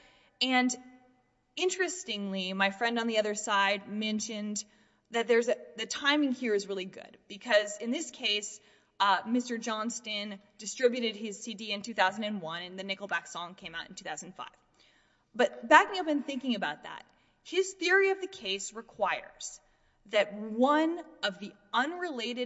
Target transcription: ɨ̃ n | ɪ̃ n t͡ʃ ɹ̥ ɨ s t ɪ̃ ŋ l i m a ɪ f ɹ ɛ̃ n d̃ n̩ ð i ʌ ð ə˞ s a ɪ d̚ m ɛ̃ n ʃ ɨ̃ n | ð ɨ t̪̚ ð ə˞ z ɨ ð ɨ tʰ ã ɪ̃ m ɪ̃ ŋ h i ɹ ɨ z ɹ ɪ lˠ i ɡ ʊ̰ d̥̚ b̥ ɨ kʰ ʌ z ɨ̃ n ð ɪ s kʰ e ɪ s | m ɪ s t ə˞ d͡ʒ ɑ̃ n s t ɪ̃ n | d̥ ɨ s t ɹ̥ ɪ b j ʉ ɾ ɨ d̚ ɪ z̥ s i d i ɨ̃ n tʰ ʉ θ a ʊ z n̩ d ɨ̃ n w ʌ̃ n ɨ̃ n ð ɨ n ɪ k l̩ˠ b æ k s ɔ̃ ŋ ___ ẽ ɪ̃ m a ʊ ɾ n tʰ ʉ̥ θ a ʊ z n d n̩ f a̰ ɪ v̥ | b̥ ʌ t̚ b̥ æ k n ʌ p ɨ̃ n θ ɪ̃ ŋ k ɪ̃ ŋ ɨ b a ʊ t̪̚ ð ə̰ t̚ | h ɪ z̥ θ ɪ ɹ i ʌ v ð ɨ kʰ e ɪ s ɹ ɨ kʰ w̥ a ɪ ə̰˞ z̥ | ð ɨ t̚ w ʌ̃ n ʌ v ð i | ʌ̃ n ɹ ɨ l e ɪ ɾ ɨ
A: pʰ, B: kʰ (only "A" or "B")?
B